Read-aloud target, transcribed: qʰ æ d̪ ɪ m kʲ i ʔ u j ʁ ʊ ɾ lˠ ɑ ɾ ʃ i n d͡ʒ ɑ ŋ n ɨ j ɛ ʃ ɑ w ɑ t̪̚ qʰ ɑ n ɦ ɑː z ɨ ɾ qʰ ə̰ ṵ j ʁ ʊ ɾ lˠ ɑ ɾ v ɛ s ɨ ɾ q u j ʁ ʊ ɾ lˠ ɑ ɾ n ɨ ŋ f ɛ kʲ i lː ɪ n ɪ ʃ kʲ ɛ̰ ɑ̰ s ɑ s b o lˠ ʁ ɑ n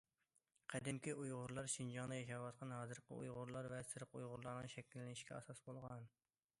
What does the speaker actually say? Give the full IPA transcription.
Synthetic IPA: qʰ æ d̪ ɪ m kʲ i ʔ u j ʁ ʊ ɾ lˠ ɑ ɾ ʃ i n d͡ʒ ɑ ŋ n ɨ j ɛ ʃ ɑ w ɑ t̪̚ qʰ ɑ n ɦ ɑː z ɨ ɾ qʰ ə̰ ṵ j ʁ ʊ ɾ lˠ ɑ ɾ v ɛ s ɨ ɾ q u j ʁ ʊ ɾ lˠ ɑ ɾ n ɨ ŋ ʃ ɛ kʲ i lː ɪ n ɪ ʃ kʲ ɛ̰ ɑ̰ s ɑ s b o lˠ ʁ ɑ n